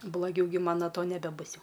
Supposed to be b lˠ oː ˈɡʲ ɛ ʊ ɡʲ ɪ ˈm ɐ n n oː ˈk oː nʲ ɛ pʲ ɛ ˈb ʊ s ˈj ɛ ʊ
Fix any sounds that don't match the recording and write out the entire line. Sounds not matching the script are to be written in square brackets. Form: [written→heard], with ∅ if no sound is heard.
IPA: b lˠ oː ˈɡʲ ɛ ʊ ɡʲ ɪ ˈm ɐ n n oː [ˈk→ˈt] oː nʲ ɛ [pʲ→bʲ] ɛ ˈb ʊ s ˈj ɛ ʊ